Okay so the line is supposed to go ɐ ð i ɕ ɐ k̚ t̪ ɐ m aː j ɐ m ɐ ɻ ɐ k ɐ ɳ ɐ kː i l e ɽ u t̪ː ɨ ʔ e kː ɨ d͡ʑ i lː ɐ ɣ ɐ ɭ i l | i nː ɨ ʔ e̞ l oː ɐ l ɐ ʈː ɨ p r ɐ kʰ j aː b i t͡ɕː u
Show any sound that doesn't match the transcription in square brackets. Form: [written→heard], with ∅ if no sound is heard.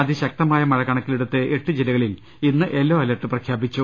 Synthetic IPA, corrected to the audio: ɐ ð i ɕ ɐ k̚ t̪ ɐ m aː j ɐ m ɐ ɻ ɐ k ɐ ɳ ɐ kː i l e ɽ u t̪ː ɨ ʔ e [kː→ʈː] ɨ d͡ʑ i [lː→l] ɐ ɣ ɐ ɭ i l | i nː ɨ ʔ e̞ [l→lː] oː ɐ l ɐ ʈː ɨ p r ɐ kʰ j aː b i t͡ɕː u

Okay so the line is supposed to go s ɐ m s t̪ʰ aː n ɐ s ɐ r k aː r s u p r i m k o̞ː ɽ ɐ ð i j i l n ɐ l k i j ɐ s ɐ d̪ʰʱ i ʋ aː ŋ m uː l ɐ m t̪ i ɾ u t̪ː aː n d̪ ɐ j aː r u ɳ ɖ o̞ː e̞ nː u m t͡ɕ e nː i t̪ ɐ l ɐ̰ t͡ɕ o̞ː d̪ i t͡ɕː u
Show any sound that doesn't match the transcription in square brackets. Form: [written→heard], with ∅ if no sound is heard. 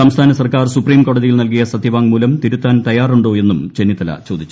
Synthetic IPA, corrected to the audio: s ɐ m s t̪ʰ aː n ɐ s ɐ r k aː r s u p r [i→iː] m k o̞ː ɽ ɐ ð i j i l n ɐ l k i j ɐ s ɐ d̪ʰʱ i ʋ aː ŋ m uː l ɐ m t̪ i ɾ u t̪ː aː n [d̪→t̪] ɐ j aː r u ɳ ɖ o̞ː e̞ nː u m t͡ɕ e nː i t̪ ɐ l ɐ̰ t͡ɕ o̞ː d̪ i t͡ɕː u

